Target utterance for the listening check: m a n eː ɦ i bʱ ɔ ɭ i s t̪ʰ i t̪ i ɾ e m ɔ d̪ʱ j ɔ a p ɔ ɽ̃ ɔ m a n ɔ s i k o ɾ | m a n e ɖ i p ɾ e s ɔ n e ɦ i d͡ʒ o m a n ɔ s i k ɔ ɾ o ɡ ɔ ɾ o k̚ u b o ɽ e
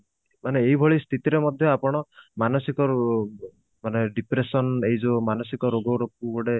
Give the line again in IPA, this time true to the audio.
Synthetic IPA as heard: m a n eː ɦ i bʱ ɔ ɭ i s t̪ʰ i t̪ i ɾ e m ɔ d̪ʱ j ɔ a p ɔ ɽ̃ ɔ m a n ɔ s i k ɔ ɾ | m a n e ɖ i p ɾ e s ɔ n e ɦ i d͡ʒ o m a n ɔ s i k ɔ ɾ o ɡ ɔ ɾ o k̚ u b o ɽ e